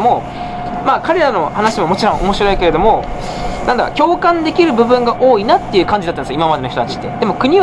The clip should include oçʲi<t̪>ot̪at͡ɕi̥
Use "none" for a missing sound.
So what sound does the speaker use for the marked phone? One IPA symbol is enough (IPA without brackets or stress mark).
t̪